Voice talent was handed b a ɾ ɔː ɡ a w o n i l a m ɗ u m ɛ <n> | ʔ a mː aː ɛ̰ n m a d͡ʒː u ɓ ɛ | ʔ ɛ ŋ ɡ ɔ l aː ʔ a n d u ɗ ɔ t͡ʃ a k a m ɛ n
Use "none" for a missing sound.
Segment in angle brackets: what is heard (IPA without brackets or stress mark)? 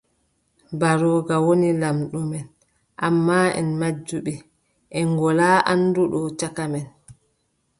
n